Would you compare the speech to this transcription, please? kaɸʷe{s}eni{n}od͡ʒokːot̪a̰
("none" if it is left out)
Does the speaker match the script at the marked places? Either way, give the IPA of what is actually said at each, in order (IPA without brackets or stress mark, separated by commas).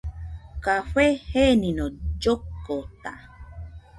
h, n